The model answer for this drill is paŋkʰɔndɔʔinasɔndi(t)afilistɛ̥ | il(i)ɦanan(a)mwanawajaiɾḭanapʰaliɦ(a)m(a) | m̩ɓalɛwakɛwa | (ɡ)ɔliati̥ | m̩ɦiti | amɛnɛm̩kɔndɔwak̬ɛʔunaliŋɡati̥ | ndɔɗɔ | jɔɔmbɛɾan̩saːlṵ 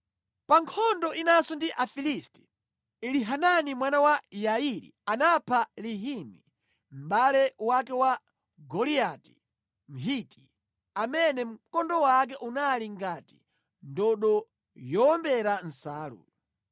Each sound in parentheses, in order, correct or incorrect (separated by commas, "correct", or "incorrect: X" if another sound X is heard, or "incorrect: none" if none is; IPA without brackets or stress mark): incorrect: ʔ, correct, incorrect: i, incorrect: i, incorrect: i, correct